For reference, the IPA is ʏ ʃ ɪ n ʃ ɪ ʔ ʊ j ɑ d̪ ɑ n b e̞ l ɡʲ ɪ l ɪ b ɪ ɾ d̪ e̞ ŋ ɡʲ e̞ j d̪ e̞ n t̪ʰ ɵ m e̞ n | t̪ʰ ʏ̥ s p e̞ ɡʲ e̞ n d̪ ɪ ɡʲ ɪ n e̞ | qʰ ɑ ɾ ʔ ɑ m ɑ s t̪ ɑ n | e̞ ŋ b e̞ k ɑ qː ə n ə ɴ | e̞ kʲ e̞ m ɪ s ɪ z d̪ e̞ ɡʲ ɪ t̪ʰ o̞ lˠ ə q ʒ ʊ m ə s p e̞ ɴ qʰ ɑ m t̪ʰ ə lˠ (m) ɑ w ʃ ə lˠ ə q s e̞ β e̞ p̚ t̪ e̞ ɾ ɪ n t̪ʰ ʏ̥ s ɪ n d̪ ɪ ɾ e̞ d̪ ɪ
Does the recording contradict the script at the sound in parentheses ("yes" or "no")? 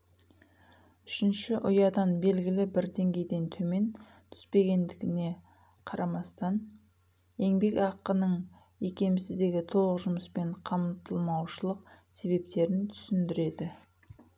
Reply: no